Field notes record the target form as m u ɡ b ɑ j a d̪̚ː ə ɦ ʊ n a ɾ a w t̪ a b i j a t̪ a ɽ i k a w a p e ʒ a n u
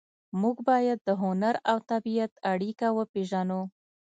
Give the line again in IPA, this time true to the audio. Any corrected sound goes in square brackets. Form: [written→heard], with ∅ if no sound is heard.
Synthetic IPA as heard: m u ɡ b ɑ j a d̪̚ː ə ɦ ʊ n a ɾ a w t̪ a b i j a t̪ a ɽ i k a w [a→ə] p e ʒ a n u